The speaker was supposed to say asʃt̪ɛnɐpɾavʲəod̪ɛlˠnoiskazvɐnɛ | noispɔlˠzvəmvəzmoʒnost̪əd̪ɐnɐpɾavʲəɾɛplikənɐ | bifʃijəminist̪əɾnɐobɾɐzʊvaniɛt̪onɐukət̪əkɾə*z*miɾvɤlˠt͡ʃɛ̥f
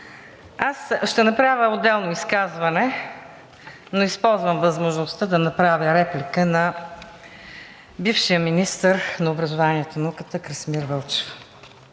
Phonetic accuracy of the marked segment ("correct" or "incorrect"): incorrect